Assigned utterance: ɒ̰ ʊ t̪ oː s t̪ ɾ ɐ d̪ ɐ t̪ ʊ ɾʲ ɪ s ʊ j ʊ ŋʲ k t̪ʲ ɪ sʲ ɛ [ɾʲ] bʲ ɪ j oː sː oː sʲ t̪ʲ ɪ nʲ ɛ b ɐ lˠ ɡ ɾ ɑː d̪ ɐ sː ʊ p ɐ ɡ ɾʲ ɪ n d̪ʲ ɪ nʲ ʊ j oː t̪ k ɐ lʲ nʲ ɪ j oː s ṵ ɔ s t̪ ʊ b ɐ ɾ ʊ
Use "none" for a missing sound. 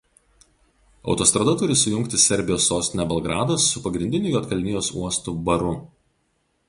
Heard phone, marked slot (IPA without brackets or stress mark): ɾʲ